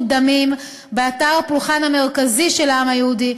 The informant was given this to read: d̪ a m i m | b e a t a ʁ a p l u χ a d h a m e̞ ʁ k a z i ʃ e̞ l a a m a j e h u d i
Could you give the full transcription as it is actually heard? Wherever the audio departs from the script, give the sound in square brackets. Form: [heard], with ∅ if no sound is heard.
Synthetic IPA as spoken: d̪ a m i m | b e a t a ʁ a p l u χ a [n] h a m e̞ ʁ k a z i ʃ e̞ l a a m a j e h u d i